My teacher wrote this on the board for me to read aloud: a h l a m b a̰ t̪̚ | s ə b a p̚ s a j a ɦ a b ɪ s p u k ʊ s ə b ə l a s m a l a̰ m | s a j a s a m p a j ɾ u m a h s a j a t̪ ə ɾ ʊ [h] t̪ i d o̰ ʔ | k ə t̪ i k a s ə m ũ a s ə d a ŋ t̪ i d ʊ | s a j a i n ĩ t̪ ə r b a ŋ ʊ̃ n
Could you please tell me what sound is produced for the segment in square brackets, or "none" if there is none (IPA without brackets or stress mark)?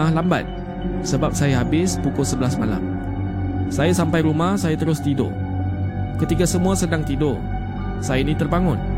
s